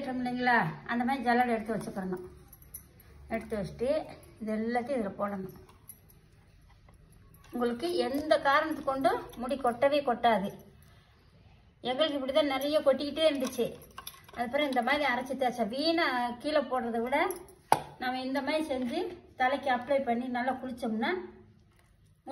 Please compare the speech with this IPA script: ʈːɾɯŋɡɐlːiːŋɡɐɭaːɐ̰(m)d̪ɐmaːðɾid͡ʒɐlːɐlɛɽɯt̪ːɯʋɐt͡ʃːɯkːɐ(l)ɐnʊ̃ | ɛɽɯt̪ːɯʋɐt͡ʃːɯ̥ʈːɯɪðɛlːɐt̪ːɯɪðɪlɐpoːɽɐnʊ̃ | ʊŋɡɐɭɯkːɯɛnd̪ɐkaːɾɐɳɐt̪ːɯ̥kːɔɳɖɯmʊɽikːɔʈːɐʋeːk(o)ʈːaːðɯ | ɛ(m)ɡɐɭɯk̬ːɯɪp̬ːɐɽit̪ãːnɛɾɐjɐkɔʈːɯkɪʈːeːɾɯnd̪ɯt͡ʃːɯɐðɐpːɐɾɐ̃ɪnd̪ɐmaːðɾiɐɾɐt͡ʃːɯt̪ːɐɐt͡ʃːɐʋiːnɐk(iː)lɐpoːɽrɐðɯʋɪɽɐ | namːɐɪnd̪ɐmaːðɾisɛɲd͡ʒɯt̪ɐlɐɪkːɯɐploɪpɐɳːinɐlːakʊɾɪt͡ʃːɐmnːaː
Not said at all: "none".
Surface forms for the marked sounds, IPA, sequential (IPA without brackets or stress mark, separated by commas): n, ɾ, ɔ, ŋ, iː